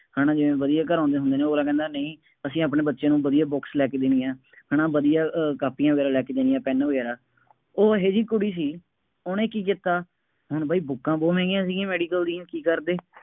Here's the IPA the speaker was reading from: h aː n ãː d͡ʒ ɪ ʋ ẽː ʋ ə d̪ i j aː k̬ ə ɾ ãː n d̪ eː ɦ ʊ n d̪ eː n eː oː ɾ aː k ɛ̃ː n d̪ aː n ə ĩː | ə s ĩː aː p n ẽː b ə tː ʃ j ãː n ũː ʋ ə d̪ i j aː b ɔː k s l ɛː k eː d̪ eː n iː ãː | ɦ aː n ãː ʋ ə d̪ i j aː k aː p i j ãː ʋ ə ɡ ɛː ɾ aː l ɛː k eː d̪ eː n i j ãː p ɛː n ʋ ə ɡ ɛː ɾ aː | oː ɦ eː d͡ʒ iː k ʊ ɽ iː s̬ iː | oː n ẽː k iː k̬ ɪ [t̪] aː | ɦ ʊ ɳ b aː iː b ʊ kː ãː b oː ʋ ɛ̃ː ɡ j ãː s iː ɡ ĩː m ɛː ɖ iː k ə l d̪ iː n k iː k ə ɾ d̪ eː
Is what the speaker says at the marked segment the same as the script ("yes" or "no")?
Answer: yes